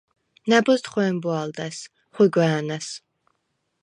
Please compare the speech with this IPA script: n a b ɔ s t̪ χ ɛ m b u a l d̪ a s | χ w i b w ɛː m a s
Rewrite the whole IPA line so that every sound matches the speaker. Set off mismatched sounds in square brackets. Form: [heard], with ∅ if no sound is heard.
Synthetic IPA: n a b ɔ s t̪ χ ɛ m b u a l d̪ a s | χ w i [ɡ] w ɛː [n] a s